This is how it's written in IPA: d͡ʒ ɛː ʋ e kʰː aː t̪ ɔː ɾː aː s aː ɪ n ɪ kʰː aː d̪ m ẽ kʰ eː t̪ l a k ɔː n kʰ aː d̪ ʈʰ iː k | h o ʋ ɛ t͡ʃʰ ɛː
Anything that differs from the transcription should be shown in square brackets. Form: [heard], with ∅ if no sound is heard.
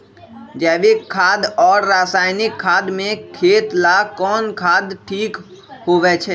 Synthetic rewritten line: d͡ʒ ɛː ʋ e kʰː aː [d̪] ɔː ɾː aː s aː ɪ n ɪ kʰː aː d̪ m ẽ kʰ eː t̪ l a k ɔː n kʰ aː d̪ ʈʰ iː k | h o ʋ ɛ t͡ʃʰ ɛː